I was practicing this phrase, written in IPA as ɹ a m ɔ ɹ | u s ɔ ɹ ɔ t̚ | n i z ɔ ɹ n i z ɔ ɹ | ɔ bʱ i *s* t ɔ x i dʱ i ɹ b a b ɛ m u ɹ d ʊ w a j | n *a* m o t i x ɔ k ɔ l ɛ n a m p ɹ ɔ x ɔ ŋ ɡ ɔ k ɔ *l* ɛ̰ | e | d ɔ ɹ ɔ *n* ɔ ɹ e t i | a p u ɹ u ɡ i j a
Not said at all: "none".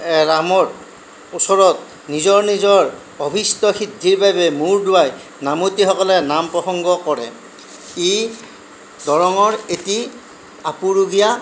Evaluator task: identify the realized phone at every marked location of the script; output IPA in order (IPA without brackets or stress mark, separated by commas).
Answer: s, a, ɹ, ŋ